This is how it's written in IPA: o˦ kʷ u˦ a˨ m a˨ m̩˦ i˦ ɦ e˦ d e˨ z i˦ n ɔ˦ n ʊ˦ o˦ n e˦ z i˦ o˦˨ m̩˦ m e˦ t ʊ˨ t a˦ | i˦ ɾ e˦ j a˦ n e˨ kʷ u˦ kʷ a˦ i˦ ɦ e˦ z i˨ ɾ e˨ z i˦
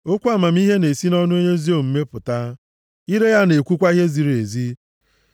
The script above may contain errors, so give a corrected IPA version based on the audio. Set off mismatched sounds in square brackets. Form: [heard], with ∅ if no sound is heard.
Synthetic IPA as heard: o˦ kʷ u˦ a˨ m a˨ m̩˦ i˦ ɦ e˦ [n] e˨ [s] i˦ n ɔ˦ n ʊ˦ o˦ [ɲ] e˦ z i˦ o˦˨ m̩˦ m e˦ [p] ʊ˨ t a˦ | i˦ ɾ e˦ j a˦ n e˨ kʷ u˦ kʷ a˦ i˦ ɦ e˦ z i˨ ɾ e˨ z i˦